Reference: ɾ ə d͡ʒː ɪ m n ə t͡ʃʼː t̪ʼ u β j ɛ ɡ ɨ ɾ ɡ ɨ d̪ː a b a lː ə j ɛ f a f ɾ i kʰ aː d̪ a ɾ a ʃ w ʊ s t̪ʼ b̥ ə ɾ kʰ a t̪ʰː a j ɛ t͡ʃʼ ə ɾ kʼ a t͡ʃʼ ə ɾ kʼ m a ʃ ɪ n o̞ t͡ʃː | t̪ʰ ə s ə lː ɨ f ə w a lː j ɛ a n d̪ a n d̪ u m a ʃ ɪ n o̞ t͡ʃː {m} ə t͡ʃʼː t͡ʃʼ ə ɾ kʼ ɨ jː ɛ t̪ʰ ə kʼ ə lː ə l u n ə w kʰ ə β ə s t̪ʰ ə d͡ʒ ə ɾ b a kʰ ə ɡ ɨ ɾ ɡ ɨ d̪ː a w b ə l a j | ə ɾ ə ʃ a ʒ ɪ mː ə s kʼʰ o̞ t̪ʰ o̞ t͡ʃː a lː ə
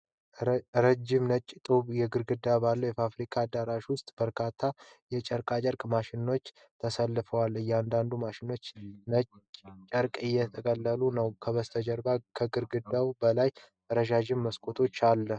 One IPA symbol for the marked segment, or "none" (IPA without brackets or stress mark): n